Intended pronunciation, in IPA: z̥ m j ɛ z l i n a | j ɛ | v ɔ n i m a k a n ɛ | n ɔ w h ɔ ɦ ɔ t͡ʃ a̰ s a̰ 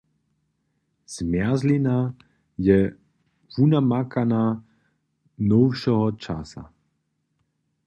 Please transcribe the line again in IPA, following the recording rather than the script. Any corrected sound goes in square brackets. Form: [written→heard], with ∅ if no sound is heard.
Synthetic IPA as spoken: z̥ m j [ɛ→a] z l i n a | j ɛ | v [ɔ→u] n [i→a] m a k a n [ɛ→a] | n ɔ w [h→ʃ] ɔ ɦ ɔ t͡ʃ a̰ s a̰